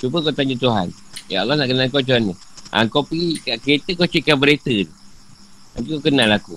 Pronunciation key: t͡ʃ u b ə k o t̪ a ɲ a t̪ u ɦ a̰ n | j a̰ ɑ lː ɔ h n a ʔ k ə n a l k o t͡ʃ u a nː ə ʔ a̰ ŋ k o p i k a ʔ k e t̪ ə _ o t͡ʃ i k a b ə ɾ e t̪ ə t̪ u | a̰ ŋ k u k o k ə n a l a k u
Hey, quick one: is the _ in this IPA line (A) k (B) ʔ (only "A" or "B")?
A